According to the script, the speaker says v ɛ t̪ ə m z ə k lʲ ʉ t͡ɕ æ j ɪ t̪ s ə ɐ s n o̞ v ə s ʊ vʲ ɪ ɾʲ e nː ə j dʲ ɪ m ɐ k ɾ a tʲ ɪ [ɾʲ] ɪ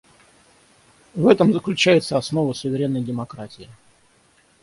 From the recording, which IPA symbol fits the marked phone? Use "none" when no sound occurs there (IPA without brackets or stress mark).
none